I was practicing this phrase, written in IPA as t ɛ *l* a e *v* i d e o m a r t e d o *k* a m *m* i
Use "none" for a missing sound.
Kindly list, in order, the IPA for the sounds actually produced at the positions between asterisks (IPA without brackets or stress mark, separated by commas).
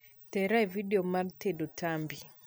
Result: ɾ, v, t, b